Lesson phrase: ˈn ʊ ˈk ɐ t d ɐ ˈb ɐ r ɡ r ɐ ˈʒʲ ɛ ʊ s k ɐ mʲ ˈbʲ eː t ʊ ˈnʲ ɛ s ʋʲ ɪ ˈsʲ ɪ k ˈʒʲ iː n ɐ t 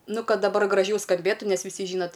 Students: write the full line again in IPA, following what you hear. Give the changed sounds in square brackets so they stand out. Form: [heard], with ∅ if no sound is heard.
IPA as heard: ˈn ʊ ˈk ɐ t d ɐ ˈb ɐ r ɡ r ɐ ˈʒʲ ɛ ʊ s k ɐ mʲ ˈbʲ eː t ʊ ˈnʲ ɛ s ʋʲ ɪ ˈsʲ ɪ [∅] ˈʒʲ iː n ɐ t